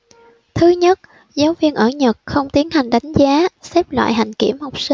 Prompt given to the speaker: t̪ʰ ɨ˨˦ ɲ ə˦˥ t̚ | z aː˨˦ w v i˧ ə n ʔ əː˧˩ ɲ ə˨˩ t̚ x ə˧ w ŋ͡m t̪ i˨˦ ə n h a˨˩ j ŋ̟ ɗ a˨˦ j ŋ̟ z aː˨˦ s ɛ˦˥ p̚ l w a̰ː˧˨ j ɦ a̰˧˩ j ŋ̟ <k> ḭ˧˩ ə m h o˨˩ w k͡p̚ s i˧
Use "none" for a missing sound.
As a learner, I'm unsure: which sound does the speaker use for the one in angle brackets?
k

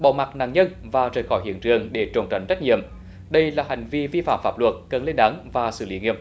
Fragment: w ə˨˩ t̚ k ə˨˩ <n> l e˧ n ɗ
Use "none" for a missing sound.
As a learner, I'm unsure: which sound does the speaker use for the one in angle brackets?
n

